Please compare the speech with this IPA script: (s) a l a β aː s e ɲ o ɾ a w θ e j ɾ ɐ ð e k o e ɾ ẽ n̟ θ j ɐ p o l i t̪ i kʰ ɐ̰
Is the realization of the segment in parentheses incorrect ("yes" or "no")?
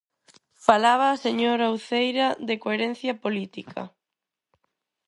yes